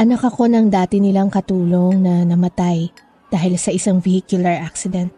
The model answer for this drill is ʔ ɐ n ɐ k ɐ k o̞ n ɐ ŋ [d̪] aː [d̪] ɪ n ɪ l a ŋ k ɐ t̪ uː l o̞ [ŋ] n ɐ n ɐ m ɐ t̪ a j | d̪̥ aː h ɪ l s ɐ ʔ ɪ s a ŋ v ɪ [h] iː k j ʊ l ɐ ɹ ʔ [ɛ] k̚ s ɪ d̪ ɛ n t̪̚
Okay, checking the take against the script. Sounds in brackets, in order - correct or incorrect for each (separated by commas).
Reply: correct, incorrect, correct, correct, incorrect